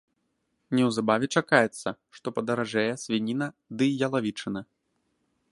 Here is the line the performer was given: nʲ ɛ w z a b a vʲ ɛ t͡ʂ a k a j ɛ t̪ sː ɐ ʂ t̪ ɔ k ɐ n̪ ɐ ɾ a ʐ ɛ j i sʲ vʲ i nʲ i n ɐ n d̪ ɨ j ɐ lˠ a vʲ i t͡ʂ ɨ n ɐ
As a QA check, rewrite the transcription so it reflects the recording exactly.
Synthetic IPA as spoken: nʲ ɛ w z a b a vʲ ɛ t͡ʂ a k a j ɛ t̪ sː ɐ ʂ t̪ ɔ p ɐ d̪ ɐ ɾ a ʐ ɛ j ɛ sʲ vʲ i nʲ i n ɐ d̪ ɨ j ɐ lˠ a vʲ i t͡ʂ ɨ n ɐ

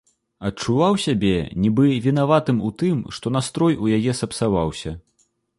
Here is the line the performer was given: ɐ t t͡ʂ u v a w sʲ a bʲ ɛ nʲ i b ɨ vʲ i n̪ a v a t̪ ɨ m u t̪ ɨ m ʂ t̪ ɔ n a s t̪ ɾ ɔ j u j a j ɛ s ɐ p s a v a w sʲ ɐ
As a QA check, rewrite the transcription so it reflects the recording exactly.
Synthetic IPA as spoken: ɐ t t͡ʂ u v a w sʲ a bʲ ɛ nʲ i b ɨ vʲ i n̪ a v a t̪ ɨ m u t̪ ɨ m ʂ t̪ ɔ n a s t̪ ɾ ɔ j u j a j ɛ s ɐ p s a v a w sʲ ɐ

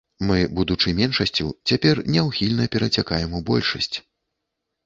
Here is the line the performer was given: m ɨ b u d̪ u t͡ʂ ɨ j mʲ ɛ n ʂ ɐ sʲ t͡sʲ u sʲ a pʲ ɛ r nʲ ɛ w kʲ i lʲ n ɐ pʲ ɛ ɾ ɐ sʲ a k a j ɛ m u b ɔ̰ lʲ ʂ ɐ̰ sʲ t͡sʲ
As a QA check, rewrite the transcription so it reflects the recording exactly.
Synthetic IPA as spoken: m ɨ b u d̪ u t͡ʂ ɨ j mʲ ɛ n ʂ ɐ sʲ t͡sʲ u t͡sʲ a pʲ ɛ r nʲ ɛ w xʲ i lʲ n ɐ pʲ ɛ ɾ ɐ t͡sʲ a k a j ɛ m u b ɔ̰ lʲ ʂ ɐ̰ sʲ t͡sʲ

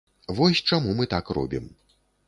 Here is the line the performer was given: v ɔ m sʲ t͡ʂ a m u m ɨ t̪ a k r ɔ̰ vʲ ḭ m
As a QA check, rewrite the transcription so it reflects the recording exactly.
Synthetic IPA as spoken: v ɔ sʲ t͡ʂ a m u m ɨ t̪ a k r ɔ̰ bʲ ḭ m

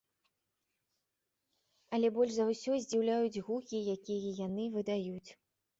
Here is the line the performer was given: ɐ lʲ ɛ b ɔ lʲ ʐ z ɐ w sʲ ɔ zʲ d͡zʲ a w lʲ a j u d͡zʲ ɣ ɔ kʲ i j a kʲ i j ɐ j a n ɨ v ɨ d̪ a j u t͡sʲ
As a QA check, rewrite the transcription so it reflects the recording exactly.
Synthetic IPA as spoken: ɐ lʲ ɛ b ɔ lʲ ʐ z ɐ w sʲ ɔ zʲ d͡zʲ i w lʲ a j u d͡zʲ ɣ u kʲ i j a kʲ i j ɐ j a n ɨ v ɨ d̪ a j u t͡sʲ

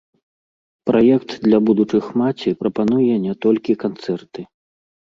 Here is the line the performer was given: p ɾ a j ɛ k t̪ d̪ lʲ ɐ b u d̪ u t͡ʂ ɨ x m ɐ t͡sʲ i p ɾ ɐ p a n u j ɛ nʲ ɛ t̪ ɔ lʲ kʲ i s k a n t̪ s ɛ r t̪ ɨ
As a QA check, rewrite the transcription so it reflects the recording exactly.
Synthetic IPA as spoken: p ɾ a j ɛ k t̪ d̪ lʲ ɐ b u d̪ u t͡ʂ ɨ x m a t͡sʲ i p ɾ ɐ p a n u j ɛ nʲ ɛ t̪ ɔ lʲ kʲ i k a n t̪ s ɛ r t̪ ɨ

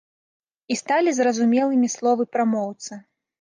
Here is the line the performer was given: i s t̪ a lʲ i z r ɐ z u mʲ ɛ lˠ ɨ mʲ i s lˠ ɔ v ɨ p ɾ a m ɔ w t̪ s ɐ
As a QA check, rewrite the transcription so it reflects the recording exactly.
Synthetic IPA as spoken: i s t̪ a lʲ i z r ɐ z u mʲ ɛ lˠ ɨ mʲ i s lˠ ɔ v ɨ p ɾ a m ɔ w t̪ s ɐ

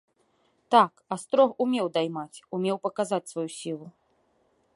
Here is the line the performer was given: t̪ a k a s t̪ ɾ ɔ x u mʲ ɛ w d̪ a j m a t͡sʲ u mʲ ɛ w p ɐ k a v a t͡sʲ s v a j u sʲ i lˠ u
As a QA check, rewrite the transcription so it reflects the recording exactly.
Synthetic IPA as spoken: t̪ a k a s t̪ ɾ ɔ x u mʲ ɛ w d̪ a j m a t͡sʲ u mʲ ɛ w p ɐ k a z a t͡sʲ s v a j u sʲ i lˠ u

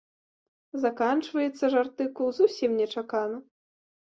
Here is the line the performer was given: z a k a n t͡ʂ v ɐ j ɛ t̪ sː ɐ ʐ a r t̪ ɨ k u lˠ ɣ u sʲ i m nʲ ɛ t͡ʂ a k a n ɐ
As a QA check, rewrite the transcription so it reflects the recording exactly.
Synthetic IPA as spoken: z a k a n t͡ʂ v ɐ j ɛ t̪ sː ɐ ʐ a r t̪ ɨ k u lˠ z u sʲ i m nʲ ɛ t͡ʂ a k a n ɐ

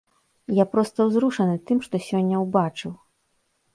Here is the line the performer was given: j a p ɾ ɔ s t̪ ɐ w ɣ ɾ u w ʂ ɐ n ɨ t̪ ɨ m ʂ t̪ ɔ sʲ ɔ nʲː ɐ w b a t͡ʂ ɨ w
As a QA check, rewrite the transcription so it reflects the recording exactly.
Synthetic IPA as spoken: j a p ɾ ɔ s t̪ ɐ w z ɾ u ʂ ɐ n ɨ t̪ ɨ m ʂ t̪ ɔ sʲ ɔ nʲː ɐ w b a t͡ʂ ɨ w

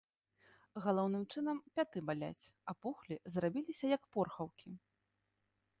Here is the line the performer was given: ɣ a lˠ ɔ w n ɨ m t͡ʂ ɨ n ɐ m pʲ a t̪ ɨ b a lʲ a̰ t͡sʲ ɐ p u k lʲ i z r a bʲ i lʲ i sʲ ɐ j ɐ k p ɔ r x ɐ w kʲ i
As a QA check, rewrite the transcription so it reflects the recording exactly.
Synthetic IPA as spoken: ɣ a lˠ ɔ w n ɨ m t͡ʂ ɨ n ɐ m pʲ a t̪ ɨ b a lʲ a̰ t͡sʲ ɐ p u x lʲ i z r a bʲ i lʲ i sʲ ɐ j ɐ k p ɔ r x ɐ w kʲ i

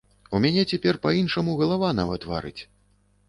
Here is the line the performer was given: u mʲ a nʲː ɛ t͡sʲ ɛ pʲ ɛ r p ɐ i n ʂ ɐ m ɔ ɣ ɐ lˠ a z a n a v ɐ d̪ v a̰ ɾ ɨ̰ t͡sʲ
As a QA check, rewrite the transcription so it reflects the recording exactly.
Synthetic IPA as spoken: u mʲ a nʲ ɛ t͡sʲ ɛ pʲ ɛ r p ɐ i n ʂ ɐ m u ɣ ɐ lˠ a v a n a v ɐ t̪ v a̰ ɾ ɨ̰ t͡sʲ

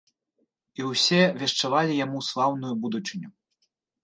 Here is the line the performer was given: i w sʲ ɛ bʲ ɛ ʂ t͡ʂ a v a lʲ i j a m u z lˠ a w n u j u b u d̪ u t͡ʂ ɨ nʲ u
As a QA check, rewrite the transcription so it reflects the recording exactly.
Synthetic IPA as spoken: i w sʲ ɛ vʲ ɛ ʂ t͡ʂ a v a lʲ i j a m u s lˠ a w n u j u b u d̪ u t͡ʂ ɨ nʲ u

